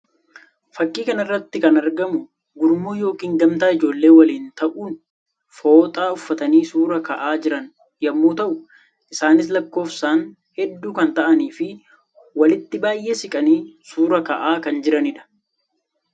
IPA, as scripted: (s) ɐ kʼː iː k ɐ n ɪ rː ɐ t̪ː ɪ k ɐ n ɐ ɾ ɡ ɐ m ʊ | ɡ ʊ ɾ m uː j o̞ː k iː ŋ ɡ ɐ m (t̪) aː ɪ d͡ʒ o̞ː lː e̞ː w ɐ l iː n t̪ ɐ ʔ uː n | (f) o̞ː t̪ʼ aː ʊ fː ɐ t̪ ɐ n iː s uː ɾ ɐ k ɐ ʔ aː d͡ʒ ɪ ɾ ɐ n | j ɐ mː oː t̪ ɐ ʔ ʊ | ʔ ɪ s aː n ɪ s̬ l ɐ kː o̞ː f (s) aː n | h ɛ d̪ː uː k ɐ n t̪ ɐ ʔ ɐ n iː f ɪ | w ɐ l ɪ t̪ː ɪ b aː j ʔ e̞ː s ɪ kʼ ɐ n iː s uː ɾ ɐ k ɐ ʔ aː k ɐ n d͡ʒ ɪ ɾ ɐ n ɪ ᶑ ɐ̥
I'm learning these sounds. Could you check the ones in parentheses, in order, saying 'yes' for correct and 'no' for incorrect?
no, yes, yes, yes

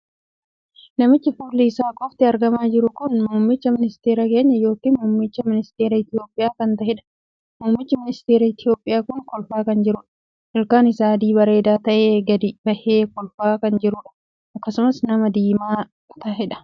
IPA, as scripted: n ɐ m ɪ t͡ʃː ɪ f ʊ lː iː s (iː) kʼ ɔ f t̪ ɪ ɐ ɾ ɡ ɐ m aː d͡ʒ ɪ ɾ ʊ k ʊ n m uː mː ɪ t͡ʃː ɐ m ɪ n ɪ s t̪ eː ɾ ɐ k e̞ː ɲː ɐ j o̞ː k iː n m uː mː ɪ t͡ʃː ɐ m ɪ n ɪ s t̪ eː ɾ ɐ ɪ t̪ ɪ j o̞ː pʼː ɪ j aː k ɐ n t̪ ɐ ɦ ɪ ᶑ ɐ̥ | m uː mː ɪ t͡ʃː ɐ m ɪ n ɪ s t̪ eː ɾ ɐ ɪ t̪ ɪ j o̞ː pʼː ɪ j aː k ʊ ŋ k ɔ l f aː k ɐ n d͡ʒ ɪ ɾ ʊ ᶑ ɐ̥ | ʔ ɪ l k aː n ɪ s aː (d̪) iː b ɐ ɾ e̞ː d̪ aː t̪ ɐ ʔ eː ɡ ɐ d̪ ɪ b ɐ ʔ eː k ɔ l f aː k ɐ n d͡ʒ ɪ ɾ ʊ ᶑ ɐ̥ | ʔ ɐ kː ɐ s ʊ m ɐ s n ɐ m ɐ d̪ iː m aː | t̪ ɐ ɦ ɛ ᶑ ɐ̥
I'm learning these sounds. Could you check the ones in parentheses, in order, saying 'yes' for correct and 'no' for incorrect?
no, yes

